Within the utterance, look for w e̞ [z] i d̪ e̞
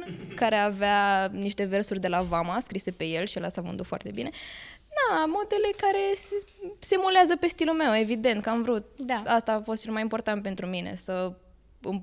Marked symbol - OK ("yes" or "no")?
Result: no